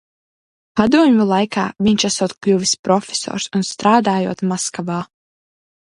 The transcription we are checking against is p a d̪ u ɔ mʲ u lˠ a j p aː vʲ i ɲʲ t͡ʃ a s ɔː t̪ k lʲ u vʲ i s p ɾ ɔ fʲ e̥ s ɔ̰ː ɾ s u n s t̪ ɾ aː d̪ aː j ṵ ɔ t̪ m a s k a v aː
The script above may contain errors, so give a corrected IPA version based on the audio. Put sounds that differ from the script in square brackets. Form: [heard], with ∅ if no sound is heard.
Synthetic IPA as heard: p a d̪ u ɔ mʲ u lˠ a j [k] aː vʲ i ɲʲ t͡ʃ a s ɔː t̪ k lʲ u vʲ i s p ɾ ɔ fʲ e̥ s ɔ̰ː ɾ s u n s t̪ ɾ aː d̪ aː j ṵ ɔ t̪ m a s k a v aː